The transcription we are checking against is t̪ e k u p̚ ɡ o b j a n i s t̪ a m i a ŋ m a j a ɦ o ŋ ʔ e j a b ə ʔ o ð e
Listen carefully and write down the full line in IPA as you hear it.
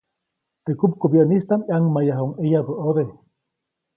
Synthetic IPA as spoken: t̪ e k u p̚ k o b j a n i s t̪ a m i a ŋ m a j a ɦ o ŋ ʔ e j a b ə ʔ o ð e